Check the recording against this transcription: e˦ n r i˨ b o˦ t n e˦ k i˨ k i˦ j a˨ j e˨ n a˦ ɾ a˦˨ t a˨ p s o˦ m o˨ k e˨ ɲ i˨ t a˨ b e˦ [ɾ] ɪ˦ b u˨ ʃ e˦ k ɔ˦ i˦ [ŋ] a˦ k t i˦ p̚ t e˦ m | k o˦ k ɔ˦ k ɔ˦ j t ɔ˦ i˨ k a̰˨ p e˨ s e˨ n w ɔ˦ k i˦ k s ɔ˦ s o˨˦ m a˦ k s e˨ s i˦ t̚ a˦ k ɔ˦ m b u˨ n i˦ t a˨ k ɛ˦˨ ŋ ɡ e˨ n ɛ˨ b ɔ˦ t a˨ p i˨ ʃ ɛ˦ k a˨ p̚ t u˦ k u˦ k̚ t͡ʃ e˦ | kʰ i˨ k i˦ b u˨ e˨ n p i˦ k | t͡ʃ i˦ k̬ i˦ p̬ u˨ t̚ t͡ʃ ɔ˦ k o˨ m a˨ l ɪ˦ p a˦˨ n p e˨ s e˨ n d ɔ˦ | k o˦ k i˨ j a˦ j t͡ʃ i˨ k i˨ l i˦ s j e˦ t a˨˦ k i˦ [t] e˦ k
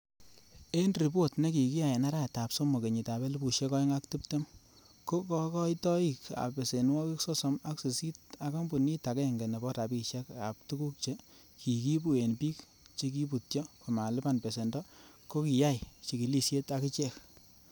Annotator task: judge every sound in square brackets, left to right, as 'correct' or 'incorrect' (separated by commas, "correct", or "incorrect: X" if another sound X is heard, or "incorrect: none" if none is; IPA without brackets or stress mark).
incorrect: l, correct, incorrect: t͡ʃ